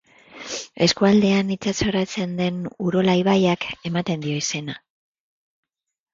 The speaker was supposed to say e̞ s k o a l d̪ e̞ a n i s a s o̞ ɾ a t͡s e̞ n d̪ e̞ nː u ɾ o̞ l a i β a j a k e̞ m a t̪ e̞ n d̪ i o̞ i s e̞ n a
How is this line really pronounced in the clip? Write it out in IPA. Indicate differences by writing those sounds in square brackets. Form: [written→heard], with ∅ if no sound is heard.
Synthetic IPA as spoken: e̞ s k [o→u] a l d̪ e̞ a n i [s→t͡s] a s o̞ ɾ a t͡s e̞ n d̪ e̞ [nː→n] u ɾ o̞ l a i β a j a k e̞ m a t̪ e̞ n d̪ i o̞ i s e̞ n a